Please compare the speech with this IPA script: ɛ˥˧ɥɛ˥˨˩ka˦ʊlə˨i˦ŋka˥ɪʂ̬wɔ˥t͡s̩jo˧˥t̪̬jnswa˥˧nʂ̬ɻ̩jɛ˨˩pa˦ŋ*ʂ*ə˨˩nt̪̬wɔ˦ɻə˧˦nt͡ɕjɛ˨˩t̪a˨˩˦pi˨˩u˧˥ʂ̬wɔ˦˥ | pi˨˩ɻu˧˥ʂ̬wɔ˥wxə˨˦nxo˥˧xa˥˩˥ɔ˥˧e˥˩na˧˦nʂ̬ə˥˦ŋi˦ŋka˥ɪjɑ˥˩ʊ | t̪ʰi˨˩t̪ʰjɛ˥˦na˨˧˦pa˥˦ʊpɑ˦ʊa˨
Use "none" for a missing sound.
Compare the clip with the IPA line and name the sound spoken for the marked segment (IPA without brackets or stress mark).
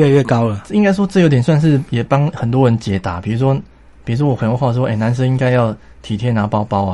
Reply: x